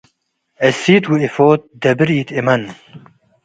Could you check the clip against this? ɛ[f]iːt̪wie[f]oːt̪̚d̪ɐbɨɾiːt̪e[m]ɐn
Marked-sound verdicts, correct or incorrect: incorrect, correct, correct

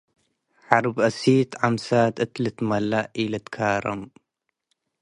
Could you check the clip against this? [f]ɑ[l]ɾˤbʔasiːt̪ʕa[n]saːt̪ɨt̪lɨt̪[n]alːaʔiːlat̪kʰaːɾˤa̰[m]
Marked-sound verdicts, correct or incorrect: incorrect, incorrect, incorrect, incorrect, correct

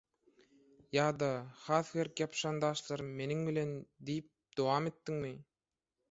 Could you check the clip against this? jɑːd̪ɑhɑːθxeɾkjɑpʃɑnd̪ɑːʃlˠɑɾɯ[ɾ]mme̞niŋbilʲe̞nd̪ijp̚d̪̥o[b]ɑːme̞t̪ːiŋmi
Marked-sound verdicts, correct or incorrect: incorrect, incorrect

